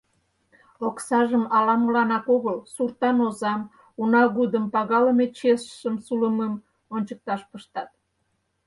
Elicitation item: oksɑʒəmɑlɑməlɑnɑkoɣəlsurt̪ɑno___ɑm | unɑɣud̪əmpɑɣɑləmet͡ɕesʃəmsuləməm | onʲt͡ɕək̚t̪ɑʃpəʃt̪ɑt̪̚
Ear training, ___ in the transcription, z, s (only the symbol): z